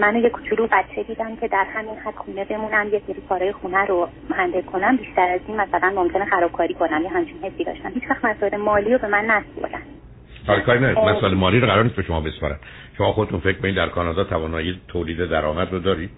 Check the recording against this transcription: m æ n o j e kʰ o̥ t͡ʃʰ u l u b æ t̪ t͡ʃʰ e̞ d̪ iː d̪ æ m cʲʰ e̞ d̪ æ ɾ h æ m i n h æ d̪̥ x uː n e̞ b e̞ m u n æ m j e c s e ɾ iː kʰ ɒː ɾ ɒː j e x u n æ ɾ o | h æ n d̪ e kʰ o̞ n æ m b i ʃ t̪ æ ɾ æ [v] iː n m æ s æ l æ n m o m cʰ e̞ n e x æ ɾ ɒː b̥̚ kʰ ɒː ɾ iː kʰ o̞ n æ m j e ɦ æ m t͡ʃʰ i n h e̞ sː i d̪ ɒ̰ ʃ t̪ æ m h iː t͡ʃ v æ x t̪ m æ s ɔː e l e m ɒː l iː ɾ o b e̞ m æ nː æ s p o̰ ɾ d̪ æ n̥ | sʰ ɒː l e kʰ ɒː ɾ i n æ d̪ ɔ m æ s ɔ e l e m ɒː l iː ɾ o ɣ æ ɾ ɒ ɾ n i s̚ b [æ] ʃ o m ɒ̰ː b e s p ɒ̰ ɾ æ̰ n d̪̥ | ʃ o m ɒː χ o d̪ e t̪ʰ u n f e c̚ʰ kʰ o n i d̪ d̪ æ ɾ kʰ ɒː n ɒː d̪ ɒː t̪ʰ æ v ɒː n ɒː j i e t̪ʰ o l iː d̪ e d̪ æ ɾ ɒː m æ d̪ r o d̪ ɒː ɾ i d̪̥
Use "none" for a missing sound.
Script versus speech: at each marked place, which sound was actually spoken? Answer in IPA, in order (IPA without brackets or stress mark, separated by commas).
z, e